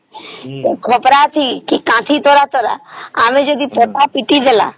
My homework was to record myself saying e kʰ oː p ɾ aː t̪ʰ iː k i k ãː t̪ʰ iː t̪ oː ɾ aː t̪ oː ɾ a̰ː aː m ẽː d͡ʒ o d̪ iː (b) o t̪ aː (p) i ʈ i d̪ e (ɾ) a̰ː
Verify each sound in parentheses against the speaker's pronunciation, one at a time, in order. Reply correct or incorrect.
incorrect, correct, incorrect

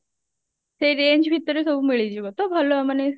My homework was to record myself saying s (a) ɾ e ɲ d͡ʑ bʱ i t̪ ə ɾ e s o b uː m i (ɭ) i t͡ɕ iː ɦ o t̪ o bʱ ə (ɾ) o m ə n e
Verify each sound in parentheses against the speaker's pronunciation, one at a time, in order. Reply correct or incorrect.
incorrect, correct, incorrect

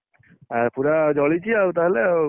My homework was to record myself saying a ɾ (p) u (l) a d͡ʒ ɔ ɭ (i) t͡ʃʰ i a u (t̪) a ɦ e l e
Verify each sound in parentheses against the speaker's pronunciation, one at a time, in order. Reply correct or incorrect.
correct, incorrect, correct, correct

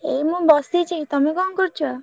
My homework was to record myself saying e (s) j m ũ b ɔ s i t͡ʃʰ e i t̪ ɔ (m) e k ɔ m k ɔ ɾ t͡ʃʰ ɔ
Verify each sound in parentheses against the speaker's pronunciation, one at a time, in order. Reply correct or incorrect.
incorrect, correct

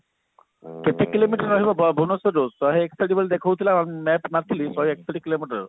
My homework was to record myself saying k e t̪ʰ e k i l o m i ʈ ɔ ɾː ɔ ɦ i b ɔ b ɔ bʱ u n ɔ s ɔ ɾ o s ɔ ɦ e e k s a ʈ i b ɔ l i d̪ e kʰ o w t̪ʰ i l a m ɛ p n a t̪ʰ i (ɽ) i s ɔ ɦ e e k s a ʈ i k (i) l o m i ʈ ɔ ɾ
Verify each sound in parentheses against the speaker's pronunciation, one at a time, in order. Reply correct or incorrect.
incorrect, correct

